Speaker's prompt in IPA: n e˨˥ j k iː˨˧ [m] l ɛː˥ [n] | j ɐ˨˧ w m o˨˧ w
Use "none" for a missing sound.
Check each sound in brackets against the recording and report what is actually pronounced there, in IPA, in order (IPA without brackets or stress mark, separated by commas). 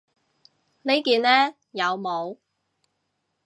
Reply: n, none